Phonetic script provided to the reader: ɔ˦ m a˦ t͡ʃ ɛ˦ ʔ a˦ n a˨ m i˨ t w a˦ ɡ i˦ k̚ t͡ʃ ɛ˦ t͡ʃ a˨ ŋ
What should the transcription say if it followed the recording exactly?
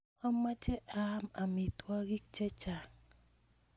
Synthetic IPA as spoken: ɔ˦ m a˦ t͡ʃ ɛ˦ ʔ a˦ m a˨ m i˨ t w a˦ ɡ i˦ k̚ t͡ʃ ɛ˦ t͡ʃ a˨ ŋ